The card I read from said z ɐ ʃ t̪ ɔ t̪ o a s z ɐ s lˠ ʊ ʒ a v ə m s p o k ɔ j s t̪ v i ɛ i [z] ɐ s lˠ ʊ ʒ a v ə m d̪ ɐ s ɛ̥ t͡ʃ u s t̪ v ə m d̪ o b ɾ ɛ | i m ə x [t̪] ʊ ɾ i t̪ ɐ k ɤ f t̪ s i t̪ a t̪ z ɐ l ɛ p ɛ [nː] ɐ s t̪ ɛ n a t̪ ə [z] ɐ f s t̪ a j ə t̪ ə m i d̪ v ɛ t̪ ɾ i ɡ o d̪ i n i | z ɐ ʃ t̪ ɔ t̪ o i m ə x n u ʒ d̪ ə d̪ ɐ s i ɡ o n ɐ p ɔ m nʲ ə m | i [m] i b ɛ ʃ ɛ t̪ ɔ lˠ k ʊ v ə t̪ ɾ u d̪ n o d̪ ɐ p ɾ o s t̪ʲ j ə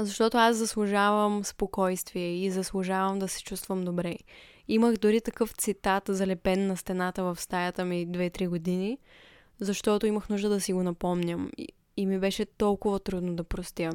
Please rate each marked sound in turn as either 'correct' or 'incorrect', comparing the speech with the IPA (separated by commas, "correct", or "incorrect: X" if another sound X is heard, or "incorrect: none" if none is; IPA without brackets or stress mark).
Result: correct, incorrect: d̪, correct, incorrect: v, correct